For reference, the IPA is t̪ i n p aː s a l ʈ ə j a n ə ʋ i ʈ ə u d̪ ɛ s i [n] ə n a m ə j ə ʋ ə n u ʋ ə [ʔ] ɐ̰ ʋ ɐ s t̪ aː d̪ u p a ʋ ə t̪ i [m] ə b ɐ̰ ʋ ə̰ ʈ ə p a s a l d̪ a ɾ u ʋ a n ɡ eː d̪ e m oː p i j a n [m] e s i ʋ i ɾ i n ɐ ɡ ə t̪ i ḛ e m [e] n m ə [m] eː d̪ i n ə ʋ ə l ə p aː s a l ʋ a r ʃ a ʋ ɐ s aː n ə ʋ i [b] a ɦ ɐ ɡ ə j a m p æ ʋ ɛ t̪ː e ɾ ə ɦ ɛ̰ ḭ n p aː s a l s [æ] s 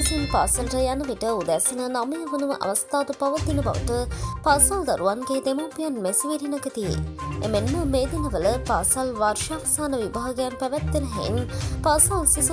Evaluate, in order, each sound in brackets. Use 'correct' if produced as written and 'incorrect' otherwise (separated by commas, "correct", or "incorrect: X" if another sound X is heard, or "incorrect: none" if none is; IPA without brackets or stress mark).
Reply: correct, correct, incorrect: n, correct, correct, correct, correct, incorrect: i